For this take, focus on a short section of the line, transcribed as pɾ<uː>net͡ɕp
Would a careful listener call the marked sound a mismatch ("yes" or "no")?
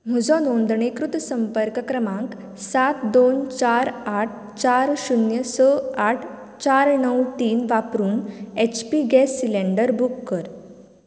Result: no